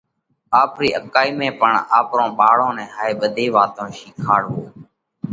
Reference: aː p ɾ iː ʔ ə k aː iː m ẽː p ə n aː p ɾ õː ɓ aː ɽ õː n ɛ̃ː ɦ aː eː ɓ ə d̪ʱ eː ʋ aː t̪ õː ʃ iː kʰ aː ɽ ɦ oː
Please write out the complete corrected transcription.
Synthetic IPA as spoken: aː p ɾ iː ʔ ə k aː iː m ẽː p ə ɳ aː p ɾ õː ɓ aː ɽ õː n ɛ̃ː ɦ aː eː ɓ ə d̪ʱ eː ʋ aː t̪ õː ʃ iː kʰ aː ɽ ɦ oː